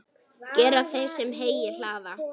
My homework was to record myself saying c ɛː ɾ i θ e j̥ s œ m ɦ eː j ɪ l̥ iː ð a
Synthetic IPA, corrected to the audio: c ɛː ɾ a θ e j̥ s ɛ m ɦ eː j ɪ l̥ aː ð a